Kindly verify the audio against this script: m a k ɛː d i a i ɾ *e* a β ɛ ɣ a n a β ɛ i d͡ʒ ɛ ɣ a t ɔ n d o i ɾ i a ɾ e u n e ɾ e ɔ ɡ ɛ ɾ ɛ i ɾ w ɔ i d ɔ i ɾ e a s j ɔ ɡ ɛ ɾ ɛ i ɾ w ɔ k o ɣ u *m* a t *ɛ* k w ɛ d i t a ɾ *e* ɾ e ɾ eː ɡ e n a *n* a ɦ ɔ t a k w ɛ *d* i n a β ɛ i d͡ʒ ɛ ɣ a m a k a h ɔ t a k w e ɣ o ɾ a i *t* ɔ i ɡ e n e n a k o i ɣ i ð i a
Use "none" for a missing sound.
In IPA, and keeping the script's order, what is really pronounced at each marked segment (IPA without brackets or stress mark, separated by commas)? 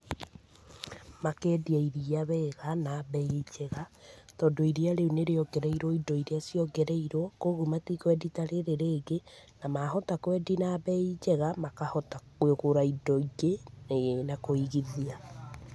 i, m, i, e, m, d, d